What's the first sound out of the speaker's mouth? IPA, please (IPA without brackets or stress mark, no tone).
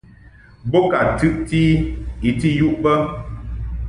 b